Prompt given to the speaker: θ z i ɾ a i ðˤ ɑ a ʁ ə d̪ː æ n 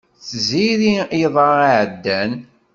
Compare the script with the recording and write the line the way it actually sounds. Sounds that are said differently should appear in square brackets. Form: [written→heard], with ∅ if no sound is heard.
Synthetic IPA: θ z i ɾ [a→i] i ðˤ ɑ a [ʁ→ʕ] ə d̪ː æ n